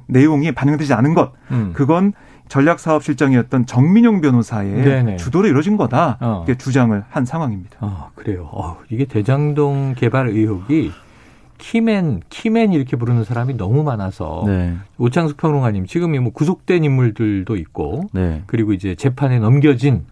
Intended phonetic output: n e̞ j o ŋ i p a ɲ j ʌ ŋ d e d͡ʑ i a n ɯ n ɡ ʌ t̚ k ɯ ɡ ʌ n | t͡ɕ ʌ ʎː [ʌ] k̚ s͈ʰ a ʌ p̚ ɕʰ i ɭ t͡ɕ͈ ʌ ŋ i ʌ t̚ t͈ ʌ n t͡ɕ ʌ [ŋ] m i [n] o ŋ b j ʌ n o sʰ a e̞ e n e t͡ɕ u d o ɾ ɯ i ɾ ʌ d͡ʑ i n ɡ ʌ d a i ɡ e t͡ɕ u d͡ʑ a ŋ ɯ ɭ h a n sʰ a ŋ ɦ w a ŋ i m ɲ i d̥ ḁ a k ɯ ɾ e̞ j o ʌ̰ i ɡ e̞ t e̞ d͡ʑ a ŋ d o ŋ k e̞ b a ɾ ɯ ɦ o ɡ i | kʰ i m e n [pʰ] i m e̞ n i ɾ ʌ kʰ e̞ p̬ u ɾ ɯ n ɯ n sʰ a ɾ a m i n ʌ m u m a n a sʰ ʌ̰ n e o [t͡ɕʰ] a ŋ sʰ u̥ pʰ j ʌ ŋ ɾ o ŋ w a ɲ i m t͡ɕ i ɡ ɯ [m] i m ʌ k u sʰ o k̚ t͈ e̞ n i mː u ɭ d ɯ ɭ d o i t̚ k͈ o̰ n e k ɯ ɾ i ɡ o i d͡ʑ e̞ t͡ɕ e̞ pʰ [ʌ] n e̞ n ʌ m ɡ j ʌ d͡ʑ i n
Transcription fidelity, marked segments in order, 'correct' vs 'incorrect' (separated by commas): incorrect, correct, incorrect, incorrect, correct, correct, incorrect